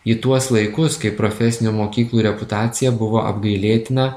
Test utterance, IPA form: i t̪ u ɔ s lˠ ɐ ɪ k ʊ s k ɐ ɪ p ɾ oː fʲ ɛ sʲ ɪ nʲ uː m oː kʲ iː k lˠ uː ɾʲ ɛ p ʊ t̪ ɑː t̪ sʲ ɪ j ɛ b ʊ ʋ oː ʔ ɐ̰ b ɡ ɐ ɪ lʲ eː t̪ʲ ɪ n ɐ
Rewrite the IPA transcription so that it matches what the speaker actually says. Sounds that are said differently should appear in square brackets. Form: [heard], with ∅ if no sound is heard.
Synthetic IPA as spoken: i t̪ u ɔ s lˠ ɐ ɪ k ʊ s k ɐ ɪ p ɾ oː fʲ ɛ sʲ ɪ nʲ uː m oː kʲ iː k lˠ uː ɾʲ ɛ p ʊ t̪ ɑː t̪ sʲ ɪ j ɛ b ʊ ʋ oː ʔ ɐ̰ b ɡ ɐ ɪ lʲ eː t̪ʲ ɪ n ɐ